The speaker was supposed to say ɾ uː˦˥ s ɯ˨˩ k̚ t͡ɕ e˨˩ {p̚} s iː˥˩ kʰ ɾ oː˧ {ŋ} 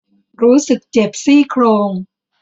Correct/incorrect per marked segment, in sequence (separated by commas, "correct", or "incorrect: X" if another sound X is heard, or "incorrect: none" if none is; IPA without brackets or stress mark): correct, correct